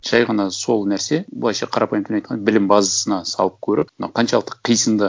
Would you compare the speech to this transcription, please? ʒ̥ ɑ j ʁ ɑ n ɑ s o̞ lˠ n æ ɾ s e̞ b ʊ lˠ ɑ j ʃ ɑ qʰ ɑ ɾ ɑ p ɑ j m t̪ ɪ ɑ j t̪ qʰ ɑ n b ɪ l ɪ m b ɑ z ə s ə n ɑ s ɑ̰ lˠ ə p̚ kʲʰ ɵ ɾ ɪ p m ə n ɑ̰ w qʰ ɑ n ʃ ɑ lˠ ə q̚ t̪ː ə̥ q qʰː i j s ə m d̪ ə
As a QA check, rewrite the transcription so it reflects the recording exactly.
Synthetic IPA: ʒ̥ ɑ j ʁ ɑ n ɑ s o̞ lˠ n æ ɾ s e̞ b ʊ lˠ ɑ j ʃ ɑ qʰ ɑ ɾ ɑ p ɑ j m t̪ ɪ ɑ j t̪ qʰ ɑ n b ɪ l ɪ m b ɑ z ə s ə n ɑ s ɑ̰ lˠ ə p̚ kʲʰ ɵ ɾ ɪ p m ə n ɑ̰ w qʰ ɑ n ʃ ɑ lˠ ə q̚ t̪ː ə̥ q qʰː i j s ə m d̪ ə